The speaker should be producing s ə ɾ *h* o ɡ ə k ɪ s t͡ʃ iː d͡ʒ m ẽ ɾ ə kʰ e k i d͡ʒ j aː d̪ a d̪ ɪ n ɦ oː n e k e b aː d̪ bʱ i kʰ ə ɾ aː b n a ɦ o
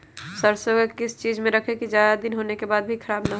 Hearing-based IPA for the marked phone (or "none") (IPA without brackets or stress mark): s